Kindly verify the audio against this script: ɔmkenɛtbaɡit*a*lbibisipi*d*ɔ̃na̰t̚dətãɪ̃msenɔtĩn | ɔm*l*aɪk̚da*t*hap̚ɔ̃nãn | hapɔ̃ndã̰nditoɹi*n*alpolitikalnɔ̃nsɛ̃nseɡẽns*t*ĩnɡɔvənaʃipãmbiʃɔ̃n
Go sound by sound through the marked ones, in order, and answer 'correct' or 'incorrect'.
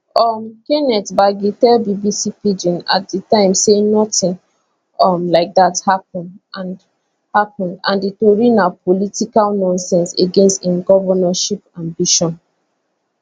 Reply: incorrect: ɛ, incorrect: d͡ʒ, correct, correct, correct, correct

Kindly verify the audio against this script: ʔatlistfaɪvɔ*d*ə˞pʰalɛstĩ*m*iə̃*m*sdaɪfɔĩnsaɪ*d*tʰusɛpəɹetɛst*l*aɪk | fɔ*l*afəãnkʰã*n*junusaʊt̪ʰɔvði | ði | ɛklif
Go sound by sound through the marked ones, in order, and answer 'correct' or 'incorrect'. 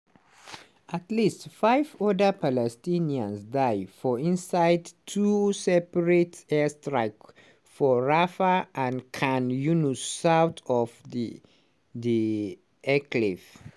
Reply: correct, incorrect: n, incorrect: n, correct, incorrect: ɹ, incorrect: ɹ, correct

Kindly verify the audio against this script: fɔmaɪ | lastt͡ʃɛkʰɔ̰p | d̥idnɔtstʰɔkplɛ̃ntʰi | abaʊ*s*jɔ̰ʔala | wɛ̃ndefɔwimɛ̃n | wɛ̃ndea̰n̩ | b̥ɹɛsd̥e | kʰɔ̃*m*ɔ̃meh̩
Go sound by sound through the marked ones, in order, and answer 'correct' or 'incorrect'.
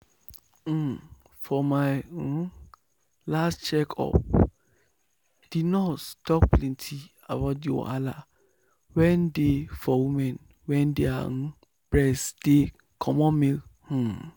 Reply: incorrect: t, correct

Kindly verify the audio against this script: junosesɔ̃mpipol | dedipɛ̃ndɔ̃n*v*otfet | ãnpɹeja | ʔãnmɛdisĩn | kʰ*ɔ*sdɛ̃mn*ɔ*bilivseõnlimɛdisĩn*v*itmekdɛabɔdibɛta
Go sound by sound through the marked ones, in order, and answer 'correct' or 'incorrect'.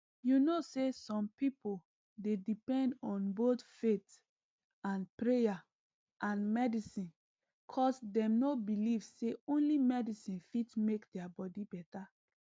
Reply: incorrect: b, correct, incorrect: o, incorrect: f

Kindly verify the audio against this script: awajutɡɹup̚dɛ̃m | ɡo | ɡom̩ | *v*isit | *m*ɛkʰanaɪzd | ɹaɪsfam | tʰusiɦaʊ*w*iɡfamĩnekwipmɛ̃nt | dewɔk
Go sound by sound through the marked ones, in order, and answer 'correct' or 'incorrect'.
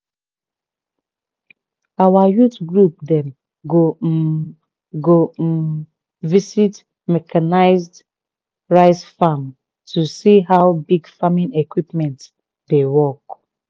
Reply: correct, correct, incorrect: b

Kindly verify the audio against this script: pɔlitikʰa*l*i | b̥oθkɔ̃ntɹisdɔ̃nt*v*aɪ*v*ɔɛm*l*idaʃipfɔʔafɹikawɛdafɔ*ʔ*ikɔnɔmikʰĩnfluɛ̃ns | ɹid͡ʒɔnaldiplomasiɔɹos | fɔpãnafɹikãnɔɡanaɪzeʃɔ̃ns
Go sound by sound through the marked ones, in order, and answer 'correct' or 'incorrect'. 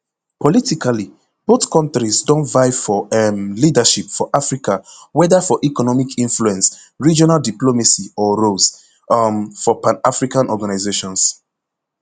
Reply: correct, correct, incorrect: f, correct, correct

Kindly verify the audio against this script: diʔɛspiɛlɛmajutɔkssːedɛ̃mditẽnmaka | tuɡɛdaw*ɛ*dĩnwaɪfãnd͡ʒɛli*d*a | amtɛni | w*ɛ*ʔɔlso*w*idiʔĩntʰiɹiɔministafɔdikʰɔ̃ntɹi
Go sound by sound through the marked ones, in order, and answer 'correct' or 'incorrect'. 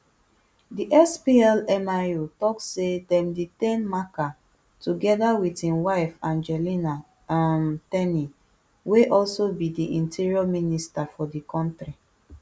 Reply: incorrect: i, incorrect: n, incorrect: e, incorrect: b

